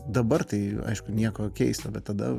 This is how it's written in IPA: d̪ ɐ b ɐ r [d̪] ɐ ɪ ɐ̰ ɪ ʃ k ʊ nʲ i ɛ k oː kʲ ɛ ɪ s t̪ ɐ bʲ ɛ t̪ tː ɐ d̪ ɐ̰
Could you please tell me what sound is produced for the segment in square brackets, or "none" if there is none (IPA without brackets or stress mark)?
t̪